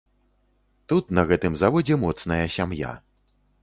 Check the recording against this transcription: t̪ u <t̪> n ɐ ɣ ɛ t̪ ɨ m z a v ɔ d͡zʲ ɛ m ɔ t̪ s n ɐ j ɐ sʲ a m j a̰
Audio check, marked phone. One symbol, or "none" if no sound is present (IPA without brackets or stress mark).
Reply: t̪